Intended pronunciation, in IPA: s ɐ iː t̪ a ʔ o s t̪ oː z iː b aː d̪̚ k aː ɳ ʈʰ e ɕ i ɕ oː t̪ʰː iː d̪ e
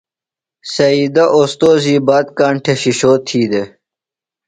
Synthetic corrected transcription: s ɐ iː d̪ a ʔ o s t̪ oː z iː b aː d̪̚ k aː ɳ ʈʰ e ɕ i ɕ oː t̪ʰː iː d̪ e